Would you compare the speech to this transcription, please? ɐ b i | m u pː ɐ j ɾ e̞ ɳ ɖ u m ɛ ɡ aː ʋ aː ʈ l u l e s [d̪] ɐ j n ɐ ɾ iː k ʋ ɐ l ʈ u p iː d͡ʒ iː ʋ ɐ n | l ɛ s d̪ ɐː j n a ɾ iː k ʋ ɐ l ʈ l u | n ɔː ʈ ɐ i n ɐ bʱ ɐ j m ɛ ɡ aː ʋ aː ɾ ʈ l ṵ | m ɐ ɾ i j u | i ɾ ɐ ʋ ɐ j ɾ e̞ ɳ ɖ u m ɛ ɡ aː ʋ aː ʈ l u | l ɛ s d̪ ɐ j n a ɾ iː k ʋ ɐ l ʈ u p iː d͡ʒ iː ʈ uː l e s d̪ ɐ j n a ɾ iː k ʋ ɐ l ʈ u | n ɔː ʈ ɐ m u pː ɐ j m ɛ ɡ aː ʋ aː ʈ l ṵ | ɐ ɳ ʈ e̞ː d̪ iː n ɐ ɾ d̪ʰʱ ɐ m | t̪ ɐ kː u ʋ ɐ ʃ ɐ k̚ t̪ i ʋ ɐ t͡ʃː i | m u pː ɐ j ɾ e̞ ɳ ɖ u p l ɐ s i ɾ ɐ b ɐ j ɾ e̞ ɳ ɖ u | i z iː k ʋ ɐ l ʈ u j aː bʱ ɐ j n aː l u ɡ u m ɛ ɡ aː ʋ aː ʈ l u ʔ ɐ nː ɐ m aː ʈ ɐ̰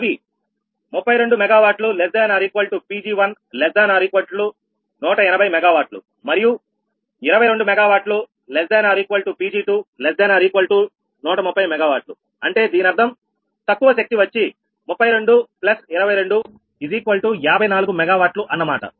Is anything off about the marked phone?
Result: no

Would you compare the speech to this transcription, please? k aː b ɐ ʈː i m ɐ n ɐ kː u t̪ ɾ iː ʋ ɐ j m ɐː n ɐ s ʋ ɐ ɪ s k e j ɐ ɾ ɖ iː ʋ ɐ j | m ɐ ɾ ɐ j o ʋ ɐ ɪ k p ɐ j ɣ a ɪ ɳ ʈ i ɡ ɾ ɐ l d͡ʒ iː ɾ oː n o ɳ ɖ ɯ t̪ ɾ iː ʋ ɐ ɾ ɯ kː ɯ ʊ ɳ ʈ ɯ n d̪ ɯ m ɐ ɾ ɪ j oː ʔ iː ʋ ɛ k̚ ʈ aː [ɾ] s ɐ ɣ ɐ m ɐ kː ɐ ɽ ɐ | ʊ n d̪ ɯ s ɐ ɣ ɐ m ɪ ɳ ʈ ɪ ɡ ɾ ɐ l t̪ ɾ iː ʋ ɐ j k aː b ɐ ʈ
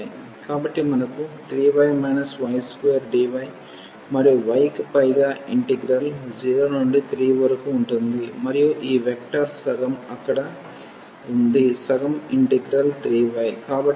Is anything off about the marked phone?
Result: no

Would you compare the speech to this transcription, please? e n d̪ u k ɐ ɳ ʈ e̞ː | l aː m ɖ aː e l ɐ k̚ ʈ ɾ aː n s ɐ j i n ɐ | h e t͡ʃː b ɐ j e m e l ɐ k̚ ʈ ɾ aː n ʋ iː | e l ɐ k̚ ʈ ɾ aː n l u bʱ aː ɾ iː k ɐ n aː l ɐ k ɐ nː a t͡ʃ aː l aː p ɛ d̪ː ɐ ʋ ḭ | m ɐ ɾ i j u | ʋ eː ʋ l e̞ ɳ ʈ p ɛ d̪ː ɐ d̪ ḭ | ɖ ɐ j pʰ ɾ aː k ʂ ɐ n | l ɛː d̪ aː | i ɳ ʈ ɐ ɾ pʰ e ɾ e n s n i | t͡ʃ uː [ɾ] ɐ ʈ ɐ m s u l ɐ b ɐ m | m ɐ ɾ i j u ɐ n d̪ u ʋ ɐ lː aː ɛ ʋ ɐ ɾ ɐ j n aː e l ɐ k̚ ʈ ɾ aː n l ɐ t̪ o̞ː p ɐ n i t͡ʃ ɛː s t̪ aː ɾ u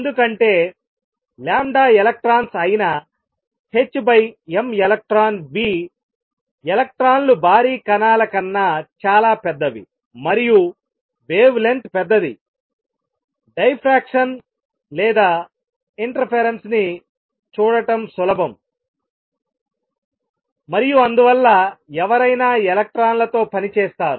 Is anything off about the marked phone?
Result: yes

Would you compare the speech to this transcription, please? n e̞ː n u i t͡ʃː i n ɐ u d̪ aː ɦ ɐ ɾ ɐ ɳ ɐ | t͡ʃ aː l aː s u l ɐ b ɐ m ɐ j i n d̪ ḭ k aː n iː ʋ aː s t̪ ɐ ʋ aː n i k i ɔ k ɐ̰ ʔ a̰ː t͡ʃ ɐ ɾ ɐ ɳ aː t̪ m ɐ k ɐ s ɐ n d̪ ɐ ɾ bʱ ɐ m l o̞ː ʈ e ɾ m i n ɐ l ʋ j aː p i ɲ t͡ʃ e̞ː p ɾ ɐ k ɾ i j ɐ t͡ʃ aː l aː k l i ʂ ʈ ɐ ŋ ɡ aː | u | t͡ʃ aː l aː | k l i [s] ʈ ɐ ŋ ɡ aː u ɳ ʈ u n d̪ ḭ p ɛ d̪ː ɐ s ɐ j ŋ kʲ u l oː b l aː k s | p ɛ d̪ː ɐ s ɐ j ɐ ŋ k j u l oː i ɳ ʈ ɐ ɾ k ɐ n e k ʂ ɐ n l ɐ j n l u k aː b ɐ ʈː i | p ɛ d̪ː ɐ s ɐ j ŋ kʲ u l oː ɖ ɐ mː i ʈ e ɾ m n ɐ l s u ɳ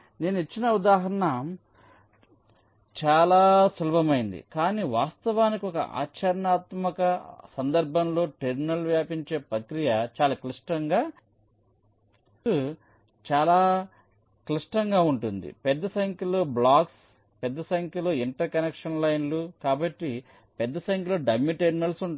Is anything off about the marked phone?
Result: yes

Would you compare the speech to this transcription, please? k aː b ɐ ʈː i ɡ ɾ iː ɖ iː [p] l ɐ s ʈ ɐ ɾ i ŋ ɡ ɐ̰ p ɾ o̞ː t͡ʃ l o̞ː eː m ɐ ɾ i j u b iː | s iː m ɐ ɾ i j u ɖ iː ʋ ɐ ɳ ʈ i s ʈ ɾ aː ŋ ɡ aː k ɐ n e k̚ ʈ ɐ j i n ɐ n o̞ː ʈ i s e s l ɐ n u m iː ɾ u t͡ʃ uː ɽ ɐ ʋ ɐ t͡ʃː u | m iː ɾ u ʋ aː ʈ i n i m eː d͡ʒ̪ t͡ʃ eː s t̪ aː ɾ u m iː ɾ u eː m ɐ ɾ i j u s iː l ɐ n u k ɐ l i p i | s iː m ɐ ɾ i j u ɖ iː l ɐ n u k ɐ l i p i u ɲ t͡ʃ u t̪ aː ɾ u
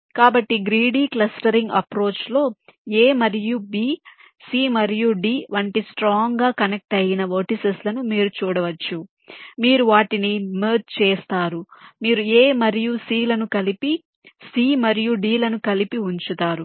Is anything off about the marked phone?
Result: yes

